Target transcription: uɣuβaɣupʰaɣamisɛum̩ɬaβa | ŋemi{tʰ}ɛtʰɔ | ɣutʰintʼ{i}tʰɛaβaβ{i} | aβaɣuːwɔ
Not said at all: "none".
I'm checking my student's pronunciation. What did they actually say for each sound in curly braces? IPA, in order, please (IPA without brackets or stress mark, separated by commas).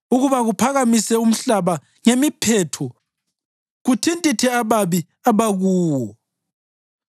pʰ, i, i